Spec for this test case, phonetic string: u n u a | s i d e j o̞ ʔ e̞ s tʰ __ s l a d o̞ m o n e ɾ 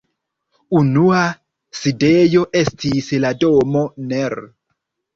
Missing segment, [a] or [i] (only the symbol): i